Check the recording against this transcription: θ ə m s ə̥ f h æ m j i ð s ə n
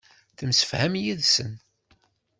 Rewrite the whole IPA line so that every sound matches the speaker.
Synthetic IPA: θ ə m s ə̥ f h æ m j i ð s ə n